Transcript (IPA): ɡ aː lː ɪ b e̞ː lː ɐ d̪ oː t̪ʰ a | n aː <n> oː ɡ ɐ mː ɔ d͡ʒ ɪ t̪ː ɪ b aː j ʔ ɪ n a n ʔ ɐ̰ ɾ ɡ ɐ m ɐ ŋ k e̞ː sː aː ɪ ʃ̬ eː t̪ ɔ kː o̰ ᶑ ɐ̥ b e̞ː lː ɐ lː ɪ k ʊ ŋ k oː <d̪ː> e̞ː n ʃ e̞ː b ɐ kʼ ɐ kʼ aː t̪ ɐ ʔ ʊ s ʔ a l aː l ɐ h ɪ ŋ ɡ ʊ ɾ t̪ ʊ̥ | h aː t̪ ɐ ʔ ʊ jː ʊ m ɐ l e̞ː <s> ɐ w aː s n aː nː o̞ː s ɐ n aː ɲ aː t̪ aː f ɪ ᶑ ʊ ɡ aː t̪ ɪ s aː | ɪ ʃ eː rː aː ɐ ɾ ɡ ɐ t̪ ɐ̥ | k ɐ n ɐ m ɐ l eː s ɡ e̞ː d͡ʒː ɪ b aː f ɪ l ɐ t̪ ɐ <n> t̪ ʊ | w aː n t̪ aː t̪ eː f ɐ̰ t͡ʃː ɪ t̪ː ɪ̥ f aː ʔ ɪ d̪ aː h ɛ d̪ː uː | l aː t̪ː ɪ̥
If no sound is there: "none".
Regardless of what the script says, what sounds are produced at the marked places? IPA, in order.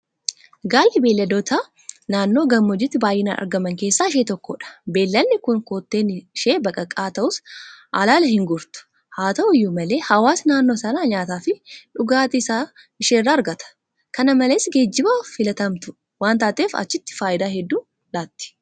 nː, t̪ː, h, m

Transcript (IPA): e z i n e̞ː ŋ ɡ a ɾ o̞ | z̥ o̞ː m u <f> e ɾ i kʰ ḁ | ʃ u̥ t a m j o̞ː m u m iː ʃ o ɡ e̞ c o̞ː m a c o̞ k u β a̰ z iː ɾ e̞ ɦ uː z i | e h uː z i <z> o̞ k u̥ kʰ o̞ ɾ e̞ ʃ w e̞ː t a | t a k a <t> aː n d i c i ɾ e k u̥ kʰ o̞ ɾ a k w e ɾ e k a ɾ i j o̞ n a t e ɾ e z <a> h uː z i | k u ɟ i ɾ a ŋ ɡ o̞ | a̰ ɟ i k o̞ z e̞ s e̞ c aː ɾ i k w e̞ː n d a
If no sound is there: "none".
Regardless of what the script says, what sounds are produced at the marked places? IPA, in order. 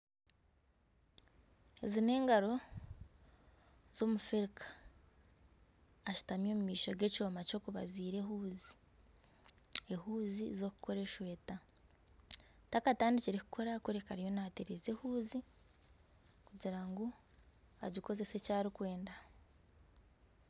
f, z, t, e

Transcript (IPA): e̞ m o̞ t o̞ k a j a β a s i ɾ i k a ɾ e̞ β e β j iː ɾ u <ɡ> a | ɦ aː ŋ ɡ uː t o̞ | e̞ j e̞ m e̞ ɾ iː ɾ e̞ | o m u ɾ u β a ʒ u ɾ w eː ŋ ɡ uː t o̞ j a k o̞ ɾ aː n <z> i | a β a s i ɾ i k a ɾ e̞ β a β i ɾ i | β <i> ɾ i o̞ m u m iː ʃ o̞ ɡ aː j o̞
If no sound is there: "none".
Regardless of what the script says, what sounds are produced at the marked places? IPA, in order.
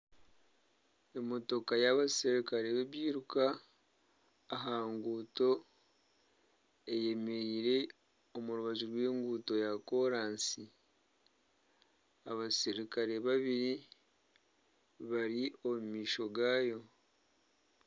k, s, a

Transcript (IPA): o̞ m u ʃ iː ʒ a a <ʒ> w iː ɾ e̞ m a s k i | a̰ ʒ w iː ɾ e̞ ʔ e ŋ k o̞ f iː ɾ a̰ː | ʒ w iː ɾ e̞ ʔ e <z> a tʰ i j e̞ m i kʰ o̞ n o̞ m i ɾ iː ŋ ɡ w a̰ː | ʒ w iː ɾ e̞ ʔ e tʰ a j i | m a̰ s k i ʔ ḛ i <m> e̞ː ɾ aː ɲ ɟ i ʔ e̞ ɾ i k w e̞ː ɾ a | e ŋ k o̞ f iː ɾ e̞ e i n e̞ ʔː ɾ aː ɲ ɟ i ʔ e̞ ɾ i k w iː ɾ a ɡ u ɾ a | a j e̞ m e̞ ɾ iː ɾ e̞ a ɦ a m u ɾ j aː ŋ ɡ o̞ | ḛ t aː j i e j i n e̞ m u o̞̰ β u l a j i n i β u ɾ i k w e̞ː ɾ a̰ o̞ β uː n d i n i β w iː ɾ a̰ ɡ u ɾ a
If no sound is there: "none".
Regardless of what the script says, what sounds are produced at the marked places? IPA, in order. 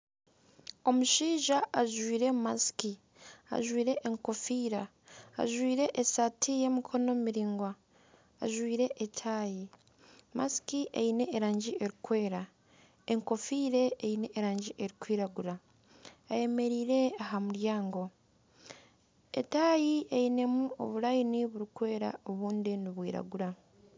ʒ, s, n

